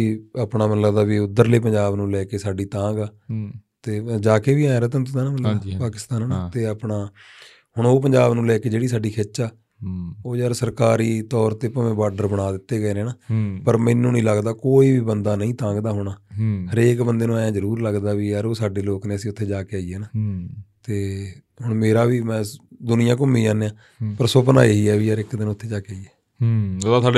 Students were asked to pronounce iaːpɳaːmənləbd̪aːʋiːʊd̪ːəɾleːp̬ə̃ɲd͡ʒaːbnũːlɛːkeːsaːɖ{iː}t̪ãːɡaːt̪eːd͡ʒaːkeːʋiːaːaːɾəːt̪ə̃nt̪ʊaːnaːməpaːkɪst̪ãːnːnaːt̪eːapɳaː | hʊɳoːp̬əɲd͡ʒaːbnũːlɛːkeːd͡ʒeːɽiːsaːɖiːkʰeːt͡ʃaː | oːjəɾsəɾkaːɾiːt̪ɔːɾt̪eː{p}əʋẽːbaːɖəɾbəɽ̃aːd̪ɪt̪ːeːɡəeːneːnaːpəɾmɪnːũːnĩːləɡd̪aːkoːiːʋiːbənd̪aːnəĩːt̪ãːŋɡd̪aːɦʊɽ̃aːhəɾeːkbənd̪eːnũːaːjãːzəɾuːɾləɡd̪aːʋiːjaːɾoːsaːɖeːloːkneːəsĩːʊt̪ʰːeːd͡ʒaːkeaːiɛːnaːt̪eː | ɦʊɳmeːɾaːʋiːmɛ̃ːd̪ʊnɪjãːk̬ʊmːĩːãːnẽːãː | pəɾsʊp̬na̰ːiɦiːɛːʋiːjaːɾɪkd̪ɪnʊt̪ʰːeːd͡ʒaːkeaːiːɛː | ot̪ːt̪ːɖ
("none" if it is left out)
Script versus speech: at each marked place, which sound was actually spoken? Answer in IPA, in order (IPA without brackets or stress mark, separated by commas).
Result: iː, p